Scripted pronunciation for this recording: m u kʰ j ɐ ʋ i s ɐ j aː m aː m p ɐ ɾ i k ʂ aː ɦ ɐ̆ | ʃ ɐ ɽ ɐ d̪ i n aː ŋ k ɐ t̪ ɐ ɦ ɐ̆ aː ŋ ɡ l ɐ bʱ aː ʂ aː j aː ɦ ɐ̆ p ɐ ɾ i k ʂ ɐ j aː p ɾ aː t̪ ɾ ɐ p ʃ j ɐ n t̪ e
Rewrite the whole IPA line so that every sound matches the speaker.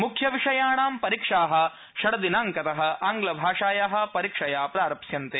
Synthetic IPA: m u kʰ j ɐ ʋ i ʂ ɐ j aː ɳ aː m p ɐ ɾ i k ʂ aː ɦ ɐ̆ | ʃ ɐ ɽ ɐ d̪ i n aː ŋ k ɐ t̪ ɐ ɦ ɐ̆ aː ŋ ɡ l ɐ bʱ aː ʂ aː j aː ɦ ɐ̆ p ɐ ɾ i k ʂ ɐ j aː p ɾ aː ɾ ɐ p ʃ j ɐ n t̪ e